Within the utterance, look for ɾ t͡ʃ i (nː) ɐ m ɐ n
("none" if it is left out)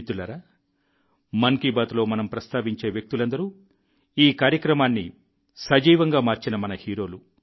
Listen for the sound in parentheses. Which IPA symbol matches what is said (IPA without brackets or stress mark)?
n